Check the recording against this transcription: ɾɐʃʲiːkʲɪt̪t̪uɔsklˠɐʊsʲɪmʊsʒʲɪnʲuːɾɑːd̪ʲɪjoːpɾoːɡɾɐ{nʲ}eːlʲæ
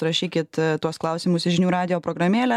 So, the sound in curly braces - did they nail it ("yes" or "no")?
no